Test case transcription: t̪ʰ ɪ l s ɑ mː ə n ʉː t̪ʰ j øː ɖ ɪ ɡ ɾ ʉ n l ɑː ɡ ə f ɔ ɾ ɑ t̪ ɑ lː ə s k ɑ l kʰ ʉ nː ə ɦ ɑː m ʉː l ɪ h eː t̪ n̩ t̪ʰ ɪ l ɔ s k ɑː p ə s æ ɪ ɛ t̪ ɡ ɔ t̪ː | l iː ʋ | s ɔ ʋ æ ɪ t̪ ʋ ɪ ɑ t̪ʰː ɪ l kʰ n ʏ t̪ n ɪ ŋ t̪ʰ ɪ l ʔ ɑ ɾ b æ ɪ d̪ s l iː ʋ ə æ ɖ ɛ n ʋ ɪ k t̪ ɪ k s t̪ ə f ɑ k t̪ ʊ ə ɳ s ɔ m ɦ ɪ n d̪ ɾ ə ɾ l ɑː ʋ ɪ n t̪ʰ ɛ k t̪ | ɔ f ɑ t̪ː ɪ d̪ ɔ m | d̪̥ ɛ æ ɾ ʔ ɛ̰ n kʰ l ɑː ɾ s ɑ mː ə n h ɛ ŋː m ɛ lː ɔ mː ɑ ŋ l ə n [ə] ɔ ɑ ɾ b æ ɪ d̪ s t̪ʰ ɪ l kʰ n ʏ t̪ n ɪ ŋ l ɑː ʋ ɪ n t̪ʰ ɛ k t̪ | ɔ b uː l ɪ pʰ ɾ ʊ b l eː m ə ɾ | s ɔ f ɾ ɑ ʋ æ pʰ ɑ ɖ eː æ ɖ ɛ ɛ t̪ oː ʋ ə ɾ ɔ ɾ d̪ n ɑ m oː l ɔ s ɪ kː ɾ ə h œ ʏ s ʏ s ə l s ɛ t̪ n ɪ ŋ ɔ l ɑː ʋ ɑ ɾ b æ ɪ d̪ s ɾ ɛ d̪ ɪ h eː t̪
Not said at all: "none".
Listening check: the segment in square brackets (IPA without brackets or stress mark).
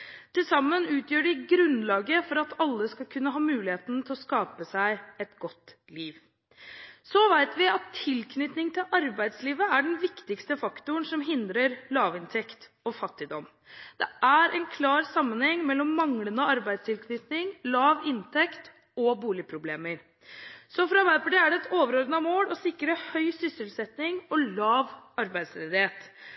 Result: ə